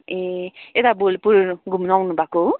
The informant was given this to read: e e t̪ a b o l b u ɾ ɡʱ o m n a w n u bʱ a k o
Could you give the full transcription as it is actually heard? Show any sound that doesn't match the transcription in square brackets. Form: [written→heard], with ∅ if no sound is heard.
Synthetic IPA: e e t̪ a b o l [b→p] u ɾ ɡʱ [o→u] m n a w n u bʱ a k o